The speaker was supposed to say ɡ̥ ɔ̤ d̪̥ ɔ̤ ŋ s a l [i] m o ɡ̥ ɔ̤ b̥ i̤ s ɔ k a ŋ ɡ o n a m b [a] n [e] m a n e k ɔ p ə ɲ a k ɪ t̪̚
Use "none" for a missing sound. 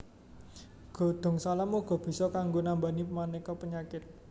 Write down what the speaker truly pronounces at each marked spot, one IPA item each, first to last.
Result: a, a, i

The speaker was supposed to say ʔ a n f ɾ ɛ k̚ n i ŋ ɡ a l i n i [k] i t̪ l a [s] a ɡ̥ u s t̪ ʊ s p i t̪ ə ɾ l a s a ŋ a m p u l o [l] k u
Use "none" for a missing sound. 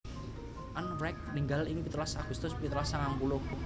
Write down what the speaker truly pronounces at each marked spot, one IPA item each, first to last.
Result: p, s, none

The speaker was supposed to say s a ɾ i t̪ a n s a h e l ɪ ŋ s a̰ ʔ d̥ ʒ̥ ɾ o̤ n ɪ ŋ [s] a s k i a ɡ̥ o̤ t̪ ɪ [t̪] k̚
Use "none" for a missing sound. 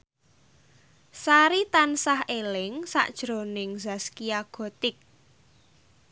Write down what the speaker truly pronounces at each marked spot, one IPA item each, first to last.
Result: z, none

